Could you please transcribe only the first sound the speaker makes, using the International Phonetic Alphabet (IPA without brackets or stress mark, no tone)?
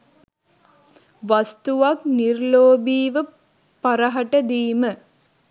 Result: ʋ